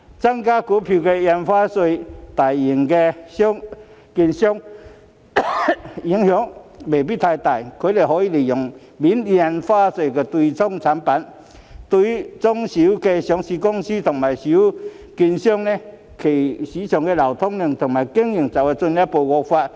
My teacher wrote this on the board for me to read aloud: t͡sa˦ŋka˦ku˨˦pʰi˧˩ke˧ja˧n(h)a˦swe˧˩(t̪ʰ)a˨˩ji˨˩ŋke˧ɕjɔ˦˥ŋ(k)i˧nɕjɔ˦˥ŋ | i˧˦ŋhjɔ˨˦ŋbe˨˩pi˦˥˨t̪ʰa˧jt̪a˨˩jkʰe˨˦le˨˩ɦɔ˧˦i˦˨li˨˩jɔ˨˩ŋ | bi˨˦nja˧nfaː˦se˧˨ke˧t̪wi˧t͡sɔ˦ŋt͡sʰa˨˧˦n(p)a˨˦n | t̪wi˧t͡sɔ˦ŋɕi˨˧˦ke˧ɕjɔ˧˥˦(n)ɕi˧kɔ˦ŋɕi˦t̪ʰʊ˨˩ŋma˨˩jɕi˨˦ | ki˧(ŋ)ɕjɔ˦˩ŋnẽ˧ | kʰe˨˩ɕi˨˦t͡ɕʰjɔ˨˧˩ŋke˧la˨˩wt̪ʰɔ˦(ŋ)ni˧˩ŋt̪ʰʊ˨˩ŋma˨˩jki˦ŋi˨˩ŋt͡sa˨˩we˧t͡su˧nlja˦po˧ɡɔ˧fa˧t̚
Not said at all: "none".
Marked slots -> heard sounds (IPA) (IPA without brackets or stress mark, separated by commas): f, t̪, k, p, ŋ, n, ŋ